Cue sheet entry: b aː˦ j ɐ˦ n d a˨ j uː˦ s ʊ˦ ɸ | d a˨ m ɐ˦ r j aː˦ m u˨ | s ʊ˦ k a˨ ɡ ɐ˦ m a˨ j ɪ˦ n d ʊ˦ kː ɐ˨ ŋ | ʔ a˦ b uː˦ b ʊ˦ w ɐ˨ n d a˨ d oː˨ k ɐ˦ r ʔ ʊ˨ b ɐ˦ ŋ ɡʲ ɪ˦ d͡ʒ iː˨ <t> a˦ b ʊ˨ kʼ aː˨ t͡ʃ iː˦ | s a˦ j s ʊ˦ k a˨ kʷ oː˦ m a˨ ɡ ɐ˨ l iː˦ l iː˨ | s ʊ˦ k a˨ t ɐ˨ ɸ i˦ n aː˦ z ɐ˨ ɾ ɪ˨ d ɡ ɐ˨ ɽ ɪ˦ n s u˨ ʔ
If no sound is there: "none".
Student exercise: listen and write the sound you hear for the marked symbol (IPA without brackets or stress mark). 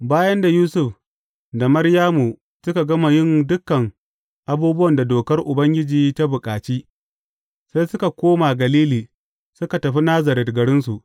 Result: t